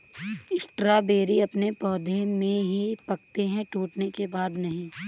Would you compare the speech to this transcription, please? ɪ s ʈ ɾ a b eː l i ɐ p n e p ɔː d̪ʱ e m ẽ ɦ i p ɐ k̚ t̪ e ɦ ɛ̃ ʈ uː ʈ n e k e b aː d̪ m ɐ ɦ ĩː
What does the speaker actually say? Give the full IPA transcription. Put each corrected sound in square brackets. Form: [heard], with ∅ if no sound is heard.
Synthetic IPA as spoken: ɪ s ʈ ɾ a b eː [ɾ] i ɐ p n e p ɔː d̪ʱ e m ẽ ɦ i p ɐ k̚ t̪ e ɦ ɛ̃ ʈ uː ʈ n e k e b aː d̪ [n] ɐ ɦ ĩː